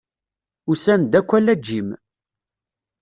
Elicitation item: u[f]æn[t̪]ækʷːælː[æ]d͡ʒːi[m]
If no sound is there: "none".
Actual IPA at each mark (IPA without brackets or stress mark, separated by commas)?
s, d̪, æ, m